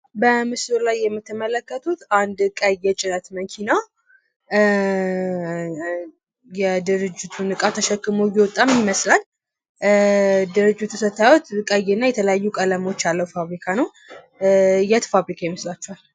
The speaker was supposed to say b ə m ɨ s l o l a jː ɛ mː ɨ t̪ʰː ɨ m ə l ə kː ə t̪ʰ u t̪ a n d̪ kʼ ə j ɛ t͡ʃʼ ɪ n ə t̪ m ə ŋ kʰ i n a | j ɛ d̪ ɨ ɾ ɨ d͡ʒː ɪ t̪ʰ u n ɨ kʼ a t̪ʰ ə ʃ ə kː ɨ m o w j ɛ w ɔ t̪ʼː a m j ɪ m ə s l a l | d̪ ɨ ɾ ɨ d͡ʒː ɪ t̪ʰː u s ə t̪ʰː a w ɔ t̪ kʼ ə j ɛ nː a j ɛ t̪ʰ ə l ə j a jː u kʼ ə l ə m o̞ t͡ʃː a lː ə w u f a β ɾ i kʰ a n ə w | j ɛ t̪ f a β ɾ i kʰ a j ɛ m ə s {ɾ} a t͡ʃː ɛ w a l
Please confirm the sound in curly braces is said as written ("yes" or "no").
no